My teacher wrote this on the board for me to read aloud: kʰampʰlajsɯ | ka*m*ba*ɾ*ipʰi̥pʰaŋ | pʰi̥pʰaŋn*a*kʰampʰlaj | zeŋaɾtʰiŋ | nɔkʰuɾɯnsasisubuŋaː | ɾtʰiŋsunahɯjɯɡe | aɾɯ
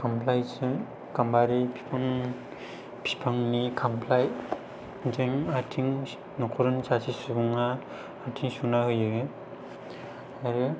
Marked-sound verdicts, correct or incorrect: correct, correct, incorrect: i

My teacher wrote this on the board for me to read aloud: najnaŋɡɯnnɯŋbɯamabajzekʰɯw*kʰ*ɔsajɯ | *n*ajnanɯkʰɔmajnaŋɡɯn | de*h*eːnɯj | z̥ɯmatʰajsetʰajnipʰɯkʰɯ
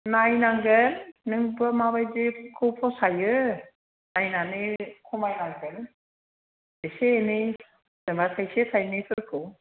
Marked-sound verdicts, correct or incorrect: incorrect: pʰ, correct, incorrect: s

